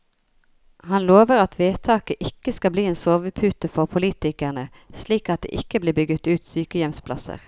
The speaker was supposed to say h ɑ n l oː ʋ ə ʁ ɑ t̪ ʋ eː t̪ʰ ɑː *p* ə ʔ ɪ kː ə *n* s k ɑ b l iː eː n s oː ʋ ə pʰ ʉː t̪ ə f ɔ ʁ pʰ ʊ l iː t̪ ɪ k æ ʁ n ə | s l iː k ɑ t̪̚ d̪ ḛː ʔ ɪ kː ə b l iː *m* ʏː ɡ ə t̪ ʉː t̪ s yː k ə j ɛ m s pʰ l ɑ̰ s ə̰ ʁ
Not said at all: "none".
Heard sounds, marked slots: k, none, b

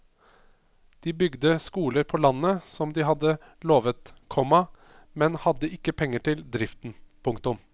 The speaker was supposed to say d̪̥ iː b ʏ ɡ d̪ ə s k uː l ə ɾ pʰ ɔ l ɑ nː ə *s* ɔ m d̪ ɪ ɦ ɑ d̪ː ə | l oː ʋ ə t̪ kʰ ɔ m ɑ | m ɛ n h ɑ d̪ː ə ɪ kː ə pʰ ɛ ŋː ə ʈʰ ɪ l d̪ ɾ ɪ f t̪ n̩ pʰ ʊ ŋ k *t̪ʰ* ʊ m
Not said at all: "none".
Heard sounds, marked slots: s, t̪

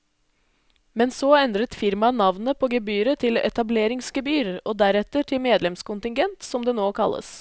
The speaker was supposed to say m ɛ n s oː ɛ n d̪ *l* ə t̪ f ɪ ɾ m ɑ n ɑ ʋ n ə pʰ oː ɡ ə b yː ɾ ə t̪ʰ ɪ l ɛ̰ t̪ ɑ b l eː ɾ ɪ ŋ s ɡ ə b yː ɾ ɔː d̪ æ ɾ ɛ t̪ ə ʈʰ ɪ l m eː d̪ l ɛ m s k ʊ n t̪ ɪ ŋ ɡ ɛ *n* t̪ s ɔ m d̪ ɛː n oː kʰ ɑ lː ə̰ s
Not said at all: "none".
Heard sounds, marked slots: ɾ, n

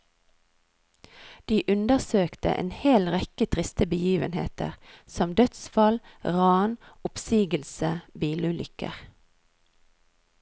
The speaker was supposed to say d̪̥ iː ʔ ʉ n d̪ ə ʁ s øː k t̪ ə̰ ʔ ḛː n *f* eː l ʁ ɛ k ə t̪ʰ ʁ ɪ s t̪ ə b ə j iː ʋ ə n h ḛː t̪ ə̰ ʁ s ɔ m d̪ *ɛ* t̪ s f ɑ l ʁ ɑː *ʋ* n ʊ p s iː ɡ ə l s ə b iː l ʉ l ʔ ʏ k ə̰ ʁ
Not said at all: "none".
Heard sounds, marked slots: h, œ, none

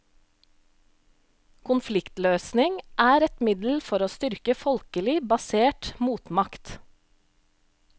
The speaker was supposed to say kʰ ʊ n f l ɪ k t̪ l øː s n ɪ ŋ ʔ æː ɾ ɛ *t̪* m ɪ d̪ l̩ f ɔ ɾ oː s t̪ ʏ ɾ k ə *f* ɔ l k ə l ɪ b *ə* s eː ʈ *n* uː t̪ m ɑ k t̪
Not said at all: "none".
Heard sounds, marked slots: t̪, f, ɑ, m

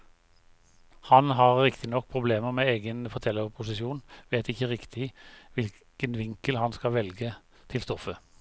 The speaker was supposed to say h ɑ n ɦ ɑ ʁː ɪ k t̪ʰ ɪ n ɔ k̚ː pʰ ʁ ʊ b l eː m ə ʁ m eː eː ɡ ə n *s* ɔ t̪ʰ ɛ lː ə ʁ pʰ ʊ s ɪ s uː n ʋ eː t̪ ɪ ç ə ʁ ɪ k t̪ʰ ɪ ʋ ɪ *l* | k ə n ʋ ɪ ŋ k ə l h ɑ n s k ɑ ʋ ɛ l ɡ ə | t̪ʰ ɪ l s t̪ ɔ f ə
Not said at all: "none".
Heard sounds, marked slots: f, l

